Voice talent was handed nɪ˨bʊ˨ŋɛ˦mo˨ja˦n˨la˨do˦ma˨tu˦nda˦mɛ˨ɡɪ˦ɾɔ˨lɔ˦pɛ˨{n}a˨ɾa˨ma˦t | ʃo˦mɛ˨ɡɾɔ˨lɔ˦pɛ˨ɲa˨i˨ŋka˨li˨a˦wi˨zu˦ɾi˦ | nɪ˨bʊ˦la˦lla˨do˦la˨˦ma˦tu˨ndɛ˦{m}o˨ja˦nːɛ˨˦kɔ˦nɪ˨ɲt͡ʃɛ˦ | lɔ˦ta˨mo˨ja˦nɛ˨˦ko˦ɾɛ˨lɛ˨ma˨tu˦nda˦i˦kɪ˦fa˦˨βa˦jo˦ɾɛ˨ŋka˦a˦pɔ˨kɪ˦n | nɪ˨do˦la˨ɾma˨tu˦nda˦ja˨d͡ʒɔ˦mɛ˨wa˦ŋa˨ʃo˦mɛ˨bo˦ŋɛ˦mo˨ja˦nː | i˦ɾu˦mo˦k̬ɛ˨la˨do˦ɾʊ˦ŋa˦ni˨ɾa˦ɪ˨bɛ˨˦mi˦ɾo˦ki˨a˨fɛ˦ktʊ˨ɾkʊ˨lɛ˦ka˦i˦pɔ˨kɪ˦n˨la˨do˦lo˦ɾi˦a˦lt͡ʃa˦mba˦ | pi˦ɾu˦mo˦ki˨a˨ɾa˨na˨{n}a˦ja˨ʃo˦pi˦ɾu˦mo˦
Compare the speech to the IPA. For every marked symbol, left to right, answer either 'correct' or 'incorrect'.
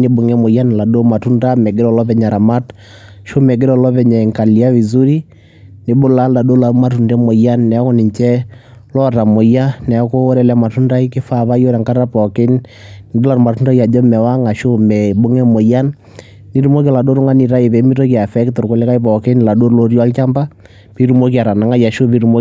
incorrect, correct, incorrect

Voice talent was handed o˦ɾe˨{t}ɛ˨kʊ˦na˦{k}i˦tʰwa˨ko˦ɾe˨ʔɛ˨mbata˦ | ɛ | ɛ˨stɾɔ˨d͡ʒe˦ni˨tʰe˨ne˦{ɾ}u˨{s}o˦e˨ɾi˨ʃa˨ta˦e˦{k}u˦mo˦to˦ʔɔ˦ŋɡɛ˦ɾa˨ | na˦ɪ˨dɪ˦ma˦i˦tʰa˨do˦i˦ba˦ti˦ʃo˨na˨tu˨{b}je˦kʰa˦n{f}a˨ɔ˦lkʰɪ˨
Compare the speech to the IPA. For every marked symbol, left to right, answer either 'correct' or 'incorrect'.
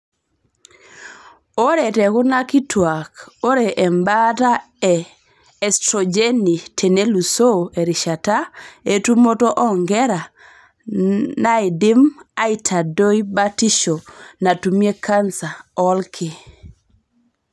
correct, correct, incorrect, correct, incorrect, incorrect, incorrect

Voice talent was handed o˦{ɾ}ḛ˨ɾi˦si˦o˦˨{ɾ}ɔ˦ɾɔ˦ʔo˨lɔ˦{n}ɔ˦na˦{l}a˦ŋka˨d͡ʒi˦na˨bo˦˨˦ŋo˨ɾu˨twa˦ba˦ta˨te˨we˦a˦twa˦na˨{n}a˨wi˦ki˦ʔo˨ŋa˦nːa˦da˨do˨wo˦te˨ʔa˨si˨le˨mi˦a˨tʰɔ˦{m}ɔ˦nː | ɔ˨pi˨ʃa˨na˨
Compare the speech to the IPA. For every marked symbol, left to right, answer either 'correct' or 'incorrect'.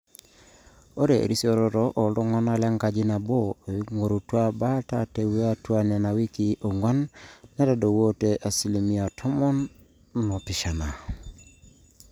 correct, correct, incorrect, correct, correct, correct

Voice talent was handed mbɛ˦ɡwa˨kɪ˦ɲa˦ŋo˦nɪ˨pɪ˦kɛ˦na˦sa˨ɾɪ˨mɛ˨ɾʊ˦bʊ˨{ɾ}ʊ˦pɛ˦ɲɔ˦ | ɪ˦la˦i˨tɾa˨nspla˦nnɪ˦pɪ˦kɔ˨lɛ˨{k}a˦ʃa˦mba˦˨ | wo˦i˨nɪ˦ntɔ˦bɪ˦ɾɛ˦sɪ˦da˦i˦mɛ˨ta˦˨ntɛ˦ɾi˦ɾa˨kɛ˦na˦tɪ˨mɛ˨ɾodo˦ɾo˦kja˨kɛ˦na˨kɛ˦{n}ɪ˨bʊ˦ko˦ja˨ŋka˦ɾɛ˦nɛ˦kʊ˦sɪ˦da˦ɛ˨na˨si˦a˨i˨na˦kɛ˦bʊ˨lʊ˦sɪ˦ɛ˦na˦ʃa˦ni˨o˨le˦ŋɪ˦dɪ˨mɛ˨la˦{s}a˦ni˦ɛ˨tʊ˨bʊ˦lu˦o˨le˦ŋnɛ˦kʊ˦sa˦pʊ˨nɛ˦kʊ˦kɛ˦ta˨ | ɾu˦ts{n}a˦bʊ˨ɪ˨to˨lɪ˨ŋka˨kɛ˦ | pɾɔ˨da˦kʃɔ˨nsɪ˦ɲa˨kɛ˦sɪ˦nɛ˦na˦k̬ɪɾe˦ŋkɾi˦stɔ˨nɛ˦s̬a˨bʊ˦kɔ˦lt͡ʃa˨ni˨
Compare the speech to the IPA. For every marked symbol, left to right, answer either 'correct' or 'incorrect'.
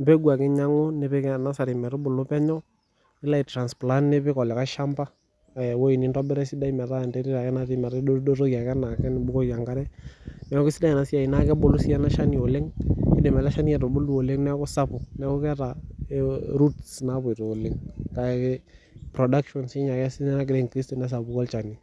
incorrect, correct, correct, incorrect, correct

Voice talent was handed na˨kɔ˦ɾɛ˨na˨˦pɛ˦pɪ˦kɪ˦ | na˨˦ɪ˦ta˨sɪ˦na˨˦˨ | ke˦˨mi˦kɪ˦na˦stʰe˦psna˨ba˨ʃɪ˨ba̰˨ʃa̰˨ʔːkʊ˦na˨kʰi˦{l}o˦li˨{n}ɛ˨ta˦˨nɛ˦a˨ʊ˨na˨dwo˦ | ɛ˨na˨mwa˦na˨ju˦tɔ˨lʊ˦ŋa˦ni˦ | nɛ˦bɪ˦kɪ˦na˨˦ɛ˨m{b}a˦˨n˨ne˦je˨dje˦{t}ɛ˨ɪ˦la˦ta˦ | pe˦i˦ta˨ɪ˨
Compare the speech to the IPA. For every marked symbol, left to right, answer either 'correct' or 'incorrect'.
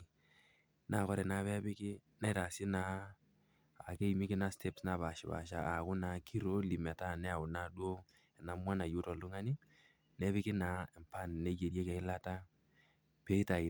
incorrect, incorrect, incorrect, incorrect

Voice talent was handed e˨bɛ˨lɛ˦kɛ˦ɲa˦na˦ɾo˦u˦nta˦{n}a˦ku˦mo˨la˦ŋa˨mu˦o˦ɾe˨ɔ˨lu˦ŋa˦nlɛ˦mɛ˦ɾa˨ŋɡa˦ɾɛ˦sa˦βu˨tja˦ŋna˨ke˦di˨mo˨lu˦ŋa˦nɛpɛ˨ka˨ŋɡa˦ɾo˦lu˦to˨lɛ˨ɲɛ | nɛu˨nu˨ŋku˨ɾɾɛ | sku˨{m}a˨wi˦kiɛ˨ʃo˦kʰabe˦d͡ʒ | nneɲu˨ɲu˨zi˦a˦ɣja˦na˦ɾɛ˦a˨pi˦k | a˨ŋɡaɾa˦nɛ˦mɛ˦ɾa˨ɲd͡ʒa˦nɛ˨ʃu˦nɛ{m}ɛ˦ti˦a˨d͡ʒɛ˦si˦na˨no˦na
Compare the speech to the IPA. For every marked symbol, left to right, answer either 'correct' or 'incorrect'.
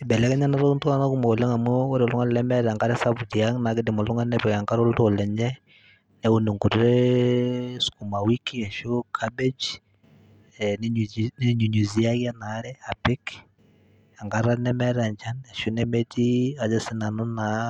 correct, correct, correct

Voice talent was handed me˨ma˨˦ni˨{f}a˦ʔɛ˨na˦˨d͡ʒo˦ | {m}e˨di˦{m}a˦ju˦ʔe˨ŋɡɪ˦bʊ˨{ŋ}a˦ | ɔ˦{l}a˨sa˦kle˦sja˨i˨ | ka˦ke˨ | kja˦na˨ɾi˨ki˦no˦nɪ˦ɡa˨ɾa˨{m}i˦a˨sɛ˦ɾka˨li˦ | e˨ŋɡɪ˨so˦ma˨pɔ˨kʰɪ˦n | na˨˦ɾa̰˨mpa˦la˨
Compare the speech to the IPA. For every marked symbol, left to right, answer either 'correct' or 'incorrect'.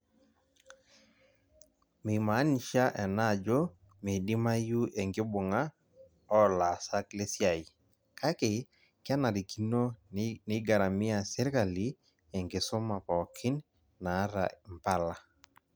incorrect, correct, correct, correct, correct, correct

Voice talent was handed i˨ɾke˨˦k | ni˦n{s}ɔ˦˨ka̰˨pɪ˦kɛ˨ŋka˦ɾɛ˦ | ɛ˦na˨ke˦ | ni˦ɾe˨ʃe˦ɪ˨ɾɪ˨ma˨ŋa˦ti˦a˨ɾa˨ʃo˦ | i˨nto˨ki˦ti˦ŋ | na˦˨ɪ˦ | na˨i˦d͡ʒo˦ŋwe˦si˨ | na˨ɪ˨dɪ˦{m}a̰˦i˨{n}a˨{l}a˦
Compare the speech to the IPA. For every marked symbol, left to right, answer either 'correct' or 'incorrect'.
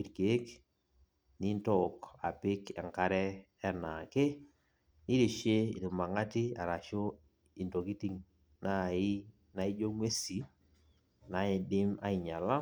incorrect, correct, incorrect, correct

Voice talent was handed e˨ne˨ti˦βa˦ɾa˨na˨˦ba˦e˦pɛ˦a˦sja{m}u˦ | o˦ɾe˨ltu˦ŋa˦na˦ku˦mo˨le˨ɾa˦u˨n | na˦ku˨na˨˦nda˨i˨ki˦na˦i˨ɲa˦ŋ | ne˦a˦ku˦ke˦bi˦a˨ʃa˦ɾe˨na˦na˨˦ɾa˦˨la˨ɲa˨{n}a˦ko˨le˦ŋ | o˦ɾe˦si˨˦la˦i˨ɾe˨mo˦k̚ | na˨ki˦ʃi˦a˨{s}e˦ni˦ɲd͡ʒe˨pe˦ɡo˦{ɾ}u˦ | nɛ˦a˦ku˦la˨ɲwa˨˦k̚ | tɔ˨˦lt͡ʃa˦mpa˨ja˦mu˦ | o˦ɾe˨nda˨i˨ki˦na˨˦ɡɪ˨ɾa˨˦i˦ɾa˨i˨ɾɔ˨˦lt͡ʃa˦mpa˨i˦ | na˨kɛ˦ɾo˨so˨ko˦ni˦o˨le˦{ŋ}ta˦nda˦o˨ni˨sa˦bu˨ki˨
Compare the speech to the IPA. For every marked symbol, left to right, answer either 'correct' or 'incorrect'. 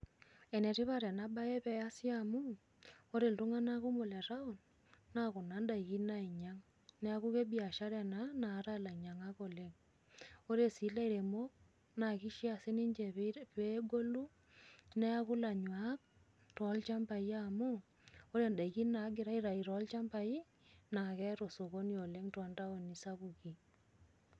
correct, incorrect, correct, incorrect, correct

